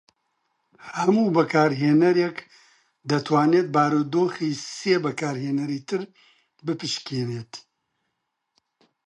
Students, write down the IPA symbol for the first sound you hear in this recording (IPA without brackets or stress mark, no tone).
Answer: h